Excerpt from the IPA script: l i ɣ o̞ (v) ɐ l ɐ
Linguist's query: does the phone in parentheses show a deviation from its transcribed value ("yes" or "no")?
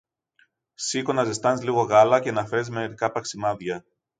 yes